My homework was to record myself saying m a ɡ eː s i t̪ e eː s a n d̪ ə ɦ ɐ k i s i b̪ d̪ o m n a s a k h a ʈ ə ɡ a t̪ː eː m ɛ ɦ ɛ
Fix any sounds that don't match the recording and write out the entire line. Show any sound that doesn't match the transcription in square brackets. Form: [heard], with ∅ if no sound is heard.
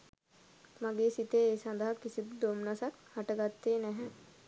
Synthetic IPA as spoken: m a ɡ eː s i t̪ e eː s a n d̪ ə ɦ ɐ k i s i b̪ d̪ o m n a s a k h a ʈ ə ɡ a t̪ː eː [n] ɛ ɦ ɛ

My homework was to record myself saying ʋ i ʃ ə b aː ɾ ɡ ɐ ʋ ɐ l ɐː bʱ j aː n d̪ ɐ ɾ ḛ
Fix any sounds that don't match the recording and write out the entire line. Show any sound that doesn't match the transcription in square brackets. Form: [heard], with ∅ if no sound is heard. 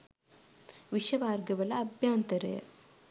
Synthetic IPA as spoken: ʋ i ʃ [ɐ] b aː ɾ ɡ ɐ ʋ ɐ l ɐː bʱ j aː n [t̪] ɐ ɾ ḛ

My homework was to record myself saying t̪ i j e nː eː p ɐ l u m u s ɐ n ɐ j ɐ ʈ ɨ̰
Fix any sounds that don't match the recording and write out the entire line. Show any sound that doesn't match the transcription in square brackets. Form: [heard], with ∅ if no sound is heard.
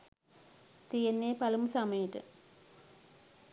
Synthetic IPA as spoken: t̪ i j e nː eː p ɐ l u m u s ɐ [m] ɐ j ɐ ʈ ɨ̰

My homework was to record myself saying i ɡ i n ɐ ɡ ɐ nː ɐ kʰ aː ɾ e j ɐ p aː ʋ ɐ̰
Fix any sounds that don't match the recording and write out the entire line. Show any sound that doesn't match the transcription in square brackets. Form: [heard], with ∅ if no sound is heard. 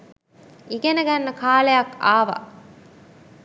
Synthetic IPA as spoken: i ɡ [e] n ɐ ɡ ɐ nː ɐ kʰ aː [l] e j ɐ [k] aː ʋ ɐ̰

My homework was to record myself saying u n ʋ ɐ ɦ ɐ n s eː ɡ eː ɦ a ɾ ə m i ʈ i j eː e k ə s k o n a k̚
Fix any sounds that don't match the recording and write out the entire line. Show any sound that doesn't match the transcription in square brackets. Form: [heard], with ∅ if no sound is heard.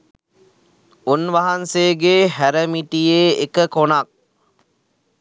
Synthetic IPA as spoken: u n ʋ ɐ ɦ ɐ n s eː ɡ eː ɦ [æ] ɾ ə m i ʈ i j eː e k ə [∅] k o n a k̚

